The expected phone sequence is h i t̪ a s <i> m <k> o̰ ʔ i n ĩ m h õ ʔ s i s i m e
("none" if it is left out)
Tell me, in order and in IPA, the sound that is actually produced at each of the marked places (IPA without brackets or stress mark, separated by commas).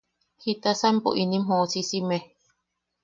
a, p